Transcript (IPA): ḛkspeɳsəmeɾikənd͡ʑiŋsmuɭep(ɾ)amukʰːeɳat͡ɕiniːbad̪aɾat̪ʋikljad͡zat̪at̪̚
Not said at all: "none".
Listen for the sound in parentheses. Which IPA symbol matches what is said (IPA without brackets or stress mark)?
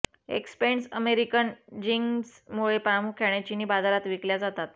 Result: ɾ